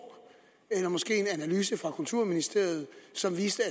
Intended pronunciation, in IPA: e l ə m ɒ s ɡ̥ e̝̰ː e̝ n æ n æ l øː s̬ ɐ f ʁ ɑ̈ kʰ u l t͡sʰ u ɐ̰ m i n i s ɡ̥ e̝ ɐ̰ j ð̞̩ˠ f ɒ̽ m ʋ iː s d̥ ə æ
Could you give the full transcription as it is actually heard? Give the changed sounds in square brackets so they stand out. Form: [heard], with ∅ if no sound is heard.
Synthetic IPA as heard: e l [ɐ] m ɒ s ɡ̥ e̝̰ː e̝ n æ n æ l [yː] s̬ [ə] f ʁ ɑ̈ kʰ u l t͡sʰ u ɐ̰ m i n i s [d̥] e̝ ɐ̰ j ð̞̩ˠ [s] ɒ̽ m ʋ iː s d̥ ə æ